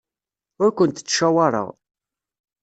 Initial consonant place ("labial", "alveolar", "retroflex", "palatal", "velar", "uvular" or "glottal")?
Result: alveolar